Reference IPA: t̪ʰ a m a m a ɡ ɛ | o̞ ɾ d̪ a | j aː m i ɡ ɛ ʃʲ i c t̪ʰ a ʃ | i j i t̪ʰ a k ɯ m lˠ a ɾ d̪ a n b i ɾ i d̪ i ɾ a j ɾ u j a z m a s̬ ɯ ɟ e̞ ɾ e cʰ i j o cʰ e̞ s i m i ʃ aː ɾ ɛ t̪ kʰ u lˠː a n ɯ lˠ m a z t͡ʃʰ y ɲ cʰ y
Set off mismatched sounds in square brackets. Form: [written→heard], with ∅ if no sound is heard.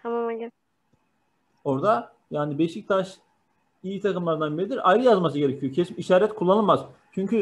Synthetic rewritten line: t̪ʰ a m a m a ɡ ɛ | o̞ ɾ d̪ a | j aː [m→n] i [ɡ→b] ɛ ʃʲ i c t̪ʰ a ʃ | i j i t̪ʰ a k ɯ m lˠ a ɾ d̪ a n b i ɾ i d̪ i ɾ a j ɾ [u→ɯ] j a z m a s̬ ɯ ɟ e̞ ɾ e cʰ i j o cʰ e̞ s i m i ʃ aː ɾ ɛ t̪ kʰ u lˠː a n ɯ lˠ m a z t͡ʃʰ y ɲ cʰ y